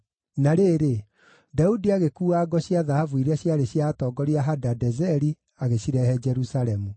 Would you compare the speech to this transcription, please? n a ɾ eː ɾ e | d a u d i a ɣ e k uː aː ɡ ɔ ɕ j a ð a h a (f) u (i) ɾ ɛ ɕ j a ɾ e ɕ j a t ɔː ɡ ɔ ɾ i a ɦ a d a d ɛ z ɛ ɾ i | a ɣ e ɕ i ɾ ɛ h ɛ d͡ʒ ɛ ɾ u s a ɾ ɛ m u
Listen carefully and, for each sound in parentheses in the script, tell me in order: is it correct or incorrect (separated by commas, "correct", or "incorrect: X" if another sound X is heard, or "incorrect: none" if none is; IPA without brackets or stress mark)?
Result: incorrect: v, correct